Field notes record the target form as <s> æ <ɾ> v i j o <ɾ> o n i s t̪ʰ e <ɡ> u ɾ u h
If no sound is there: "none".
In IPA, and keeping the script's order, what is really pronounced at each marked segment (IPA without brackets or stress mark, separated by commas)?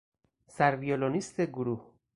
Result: s, ɾ, l, ɡ